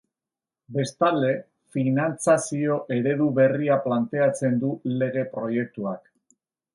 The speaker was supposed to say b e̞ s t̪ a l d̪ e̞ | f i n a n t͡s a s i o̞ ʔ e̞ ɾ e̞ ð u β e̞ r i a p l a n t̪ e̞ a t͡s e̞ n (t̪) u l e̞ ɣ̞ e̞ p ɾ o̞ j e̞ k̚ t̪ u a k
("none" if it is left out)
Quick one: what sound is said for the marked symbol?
d̪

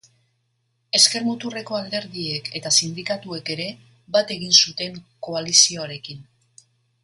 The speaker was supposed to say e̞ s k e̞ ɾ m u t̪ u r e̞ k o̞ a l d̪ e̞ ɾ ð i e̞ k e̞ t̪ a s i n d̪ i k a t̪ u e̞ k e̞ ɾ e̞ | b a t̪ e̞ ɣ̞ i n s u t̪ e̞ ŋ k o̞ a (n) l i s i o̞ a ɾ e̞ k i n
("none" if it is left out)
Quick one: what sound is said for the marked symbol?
none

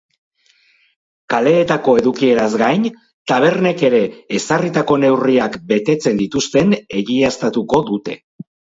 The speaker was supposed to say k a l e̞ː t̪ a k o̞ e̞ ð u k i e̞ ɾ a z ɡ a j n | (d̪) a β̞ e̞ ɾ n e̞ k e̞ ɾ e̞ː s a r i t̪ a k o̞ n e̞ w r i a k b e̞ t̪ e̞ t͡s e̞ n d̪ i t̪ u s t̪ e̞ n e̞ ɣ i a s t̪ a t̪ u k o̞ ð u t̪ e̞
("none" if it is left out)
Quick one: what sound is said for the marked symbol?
t̪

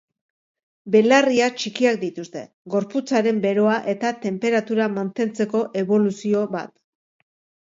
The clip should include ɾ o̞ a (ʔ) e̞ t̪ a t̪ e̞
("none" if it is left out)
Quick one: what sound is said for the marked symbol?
ʔ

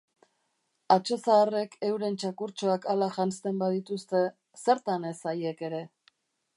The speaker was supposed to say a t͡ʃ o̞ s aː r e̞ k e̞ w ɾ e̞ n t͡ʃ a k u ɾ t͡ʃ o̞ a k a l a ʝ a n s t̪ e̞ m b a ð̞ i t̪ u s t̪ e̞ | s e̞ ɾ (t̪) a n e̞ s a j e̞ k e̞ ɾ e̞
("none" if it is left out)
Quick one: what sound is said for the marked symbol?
t̪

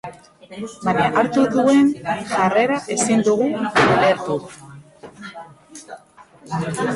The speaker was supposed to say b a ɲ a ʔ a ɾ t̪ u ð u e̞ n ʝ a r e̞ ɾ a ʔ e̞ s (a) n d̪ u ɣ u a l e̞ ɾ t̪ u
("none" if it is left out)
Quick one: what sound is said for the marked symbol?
i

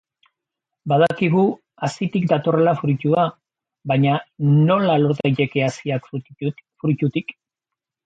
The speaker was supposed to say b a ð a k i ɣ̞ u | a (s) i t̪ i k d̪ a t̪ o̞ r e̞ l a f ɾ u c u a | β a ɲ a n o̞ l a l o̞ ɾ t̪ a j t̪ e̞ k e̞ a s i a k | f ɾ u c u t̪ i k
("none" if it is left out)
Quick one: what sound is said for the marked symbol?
s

